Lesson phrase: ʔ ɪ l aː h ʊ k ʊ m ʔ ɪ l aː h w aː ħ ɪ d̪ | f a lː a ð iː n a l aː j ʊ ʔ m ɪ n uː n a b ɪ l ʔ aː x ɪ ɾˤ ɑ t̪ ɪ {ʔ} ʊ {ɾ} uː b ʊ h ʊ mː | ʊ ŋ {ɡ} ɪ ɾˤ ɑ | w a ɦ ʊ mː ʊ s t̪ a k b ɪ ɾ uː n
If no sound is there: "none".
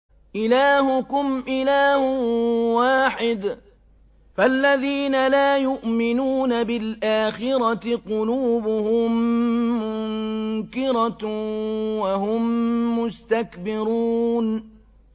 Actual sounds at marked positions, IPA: q, l, k

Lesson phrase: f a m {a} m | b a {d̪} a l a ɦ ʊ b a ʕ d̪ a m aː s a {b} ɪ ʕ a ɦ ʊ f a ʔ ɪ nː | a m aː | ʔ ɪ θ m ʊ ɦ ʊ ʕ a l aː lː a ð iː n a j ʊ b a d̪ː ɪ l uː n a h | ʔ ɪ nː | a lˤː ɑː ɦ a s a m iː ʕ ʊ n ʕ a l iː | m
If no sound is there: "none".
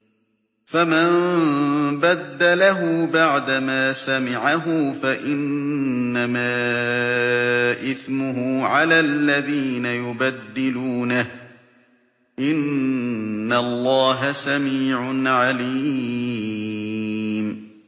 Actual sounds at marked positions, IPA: a, d̪ː, m

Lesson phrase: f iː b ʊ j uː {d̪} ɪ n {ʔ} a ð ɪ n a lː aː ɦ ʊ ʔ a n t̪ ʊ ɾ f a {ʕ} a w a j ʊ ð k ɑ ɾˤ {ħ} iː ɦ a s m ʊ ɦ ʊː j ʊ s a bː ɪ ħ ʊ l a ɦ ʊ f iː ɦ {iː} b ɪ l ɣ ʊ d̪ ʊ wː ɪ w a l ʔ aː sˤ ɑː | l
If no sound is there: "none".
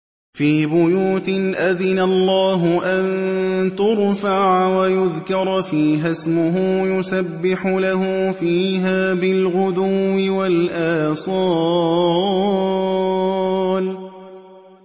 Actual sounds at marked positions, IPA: t̪, ʔ, ʕ, f, aː

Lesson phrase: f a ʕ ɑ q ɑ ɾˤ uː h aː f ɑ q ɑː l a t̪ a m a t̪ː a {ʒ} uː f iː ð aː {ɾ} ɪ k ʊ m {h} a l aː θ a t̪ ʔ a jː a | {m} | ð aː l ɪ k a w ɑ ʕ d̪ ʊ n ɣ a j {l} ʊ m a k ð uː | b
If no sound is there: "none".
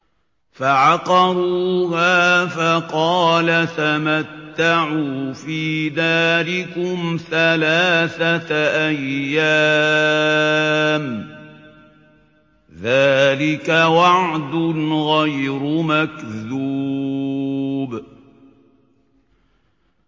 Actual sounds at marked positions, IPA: ʕ, l, θ, m, ɾ

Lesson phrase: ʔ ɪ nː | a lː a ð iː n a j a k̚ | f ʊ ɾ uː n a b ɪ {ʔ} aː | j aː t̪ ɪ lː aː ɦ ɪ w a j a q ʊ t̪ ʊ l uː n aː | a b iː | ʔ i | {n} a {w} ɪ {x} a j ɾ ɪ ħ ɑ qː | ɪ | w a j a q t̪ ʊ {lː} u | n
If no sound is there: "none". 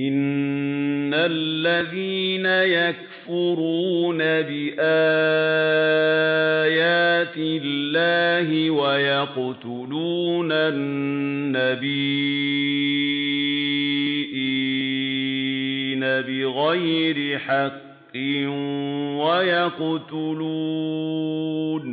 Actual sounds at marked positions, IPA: ʔ, n, b, ɣ, l

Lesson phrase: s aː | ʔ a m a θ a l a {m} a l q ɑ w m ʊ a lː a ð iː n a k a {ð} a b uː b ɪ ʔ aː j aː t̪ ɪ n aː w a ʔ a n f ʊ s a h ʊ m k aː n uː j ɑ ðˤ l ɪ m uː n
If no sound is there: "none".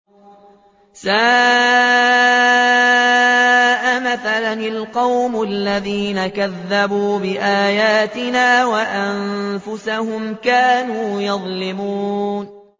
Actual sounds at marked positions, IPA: n, ðː

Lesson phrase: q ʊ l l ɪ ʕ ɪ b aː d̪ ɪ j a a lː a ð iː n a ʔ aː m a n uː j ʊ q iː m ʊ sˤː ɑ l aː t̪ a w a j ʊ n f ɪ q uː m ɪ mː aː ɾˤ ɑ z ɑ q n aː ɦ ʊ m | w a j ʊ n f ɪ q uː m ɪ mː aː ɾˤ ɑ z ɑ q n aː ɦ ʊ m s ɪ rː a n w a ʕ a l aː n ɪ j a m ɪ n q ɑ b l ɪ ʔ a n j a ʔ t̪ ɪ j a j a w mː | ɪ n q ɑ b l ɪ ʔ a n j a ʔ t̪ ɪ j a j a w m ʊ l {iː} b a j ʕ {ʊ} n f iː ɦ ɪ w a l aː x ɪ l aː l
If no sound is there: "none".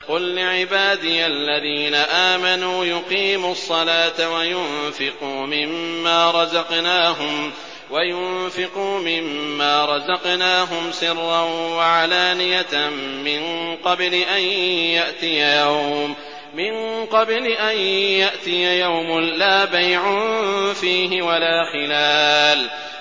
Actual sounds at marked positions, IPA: aː, ʊ

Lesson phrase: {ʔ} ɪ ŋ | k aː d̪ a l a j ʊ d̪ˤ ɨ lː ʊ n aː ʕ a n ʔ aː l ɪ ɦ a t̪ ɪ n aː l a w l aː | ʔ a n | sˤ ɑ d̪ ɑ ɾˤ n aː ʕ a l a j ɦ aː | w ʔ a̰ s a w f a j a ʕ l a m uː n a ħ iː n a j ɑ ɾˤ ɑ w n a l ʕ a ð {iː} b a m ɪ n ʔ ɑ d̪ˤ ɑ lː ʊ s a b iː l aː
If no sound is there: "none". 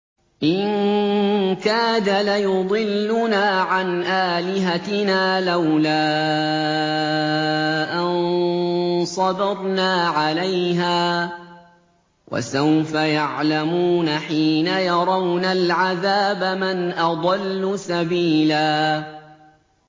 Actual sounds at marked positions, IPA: ʔ, aː

